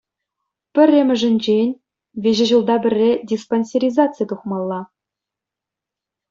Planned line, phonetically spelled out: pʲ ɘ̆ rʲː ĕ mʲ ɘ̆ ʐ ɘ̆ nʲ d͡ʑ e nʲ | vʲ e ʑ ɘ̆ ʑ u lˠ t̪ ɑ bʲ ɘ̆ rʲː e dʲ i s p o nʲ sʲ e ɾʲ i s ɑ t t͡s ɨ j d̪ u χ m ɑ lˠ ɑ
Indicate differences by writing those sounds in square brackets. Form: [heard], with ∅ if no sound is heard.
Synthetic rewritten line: pʲ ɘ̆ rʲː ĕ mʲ ɘ̆ ʐ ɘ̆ nʲ d͡ʑ e nʲ | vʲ e ʑ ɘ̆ ʑ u lˠ [d̪] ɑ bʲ ɘ̆ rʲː e dʲ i s p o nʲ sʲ e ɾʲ i [z] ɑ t t͡s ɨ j [t̪] u χ m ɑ [lˠː] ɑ